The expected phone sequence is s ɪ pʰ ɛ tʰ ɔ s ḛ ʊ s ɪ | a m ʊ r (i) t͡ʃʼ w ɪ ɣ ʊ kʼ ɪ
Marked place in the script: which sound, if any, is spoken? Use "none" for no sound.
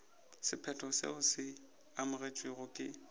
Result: e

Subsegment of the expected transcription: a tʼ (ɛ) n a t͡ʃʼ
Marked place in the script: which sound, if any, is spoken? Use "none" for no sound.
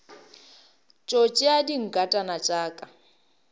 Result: a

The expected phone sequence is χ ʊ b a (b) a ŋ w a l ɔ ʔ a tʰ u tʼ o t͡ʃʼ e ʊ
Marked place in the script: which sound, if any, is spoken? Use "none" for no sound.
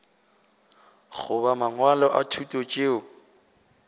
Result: m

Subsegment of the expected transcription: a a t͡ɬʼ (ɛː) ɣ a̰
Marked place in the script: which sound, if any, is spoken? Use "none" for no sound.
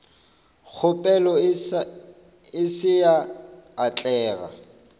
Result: ɛː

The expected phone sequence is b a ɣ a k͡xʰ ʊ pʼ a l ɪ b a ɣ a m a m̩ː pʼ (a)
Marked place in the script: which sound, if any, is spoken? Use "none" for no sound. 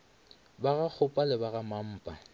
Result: a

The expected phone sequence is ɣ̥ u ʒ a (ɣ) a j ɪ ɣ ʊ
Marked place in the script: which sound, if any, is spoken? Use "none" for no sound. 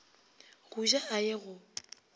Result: none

